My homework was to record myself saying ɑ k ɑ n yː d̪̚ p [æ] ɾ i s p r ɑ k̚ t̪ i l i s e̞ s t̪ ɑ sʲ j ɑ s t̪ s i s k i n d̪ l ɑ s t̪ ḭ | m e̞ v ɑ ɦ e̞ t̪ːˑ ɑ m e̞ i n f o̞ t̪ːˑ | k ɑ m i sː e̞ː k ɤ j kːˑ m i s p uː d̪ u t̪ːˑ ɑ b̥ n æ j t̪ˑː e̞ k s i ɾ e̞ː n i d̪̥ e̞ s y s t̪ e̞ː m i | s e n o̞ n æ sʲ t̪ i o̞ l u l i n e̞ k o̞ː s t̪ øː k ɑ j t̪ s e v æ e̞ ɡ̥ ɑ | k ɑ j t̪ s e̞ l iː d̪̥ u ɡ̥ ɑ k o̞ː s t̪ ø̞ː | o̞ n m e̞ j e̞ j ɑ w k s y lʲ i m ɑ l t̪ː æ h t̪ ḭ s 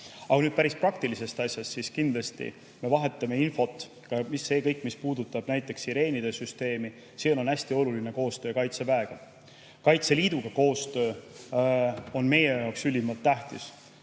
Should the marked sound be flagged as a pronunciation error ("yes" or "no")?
no